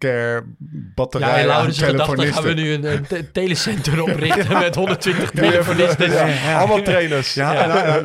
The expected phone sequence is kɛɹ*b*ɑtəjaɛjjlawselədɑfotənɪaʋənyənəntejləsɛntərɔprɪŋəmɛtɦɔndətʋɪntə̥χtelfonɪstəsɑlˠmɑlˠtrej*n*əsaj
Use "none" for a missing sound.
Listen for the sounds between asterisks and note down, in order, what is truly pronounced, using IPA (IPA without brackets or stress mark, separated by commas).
b, n